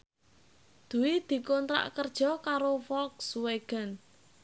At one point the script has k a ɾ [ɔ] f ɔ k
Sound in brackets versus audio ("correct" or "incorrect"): incorrect